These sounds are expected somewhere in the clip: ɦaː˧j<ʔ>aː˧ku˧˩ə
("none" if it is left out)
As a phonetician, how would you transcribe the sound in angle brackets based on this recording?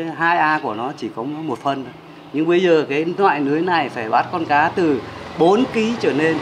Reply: ʔ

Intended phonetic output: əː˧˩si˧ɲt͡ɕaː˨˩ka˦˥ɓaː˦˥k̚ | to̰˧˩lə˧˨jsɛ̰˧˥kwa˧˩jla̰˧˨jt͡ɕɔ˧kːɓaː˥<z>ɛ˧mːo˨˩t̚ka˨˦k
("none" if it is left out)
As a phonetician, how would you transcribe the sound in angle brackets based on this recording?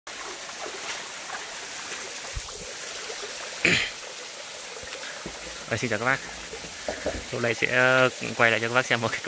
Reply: s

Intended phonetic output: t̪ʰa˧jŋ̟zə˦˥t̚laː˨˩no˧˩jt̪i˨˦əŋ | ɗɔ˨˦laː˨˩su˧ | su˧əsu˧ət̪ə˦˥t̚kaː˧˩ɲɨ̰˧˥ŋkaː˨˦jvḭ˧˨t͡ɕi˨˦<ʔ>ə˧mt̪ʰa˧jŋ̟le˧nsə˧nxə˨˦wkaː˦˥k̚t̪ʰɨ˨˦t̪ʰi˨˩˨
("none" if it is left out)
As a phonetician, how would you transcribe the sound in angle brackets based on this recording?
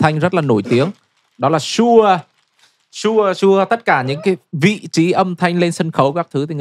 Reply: ʔ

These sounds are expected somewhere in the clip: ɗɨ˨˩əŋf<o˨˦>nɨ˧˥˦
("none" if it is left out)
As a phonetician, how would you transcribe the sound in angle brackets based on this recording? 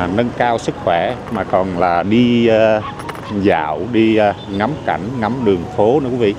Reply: o˨˦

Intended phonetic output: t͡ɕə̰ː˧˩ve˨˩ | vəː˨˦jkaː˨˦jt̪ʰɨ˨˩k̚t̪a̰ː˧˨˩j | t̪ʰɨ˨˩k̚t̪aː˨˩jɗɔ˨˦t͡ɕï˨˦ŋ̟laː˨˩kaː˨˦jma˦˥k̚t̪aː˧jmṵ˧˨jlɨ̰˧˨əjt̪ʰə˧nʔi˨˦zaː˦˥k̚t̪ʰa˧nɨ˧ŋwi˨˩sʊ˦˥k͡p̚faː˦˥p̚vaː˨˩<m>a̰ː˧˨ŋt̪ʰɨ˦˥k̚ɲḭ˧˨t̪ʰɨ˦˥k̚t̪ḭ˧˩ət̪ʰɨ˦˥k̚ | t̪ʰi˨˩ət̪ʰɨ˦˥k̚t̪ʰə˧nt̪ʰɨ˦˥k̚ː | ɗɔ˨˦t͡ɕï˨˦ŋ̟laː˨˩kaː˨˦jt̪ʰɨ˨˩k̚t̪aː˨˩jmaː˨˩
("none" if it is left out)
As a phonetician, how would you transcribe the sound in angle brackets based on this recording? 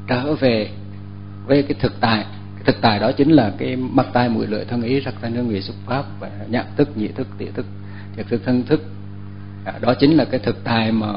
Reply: ɲ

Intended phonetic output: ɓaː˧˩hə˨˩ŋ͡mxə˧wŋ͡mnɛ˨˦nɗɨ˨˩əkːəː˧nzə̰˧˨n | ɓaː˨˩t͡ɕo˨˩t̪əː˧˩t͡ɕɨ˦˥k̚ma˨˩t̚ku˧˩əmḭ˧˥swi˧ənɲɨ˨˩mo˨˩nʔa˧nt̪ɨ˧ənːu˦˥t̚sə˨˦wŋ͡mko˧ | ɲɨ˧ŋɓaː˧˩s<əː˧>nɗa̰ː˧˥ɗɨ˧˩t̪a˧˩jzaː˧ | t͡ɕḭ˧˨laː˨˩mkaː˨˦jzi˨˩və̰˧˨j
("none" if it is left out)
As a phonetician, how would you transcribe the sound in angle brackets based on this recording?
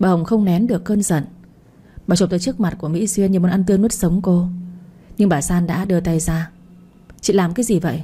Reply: aː˧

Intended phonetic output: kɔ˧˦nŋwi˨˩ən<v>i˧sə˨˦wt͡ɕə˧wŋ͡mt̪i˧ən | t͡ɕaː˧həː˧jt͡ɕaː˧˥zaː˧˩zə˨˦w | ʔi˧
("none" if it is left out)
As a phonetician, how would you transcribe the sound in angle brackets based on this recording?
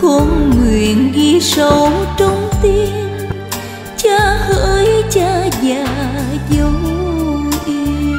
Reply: ɣ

